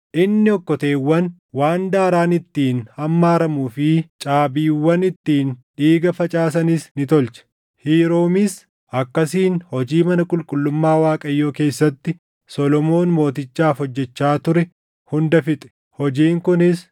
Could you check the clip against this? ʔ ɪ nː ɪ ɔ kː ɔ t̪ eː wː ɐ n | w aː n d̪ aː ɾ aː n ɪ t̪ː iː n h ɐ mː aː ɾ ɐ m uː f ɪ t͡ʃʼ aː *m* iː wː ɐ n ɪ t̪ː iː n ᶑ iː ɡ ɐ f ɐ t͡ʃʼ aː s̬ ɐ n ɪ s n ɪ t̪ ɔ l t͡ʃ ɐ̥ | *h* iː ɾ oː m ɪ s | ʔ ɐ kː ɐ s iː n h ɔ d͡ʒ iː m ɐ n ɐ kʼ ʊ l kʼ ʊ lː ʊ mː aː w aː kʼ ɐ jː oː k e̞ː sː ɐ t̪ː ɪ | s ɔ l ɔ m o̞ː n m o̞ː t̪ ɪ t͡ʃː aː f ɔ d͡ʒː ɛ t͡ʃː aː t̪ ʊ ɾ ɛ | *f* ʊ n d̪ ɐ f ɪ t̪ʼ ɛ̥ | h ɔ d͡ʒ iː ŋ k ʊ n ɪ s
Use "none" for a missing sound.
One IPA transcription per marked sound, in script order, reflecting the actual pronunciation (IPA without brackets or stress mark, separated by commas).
b, h, h